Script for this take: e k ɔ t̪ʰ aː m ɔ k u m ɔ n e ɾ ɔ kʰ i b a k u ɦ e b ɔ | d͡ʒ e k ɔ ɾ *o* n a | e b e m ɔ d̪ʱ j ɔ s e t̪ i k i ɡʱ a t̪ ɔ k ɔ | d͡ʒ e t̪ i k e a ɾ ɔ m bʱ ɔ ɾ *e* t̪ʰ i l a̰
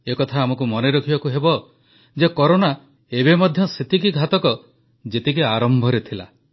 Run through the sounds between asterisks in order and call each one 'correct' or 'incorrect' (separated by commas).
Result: correct, correct